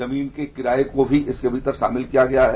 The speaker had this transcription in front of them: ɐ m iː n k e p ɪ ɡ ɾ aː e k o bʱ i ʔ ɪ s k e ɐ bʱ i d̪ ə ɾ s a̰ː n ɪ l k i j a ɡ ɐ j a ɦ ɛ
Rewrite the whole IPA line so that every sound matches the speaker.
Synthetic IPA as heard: ɐ m iː n k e k ɪ ɾ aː e k o bʱ i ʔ ɪ s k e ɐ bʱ i t̪ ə ɾ ʃ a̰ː m ɪ l k i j a ɡ ɐ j a ɦ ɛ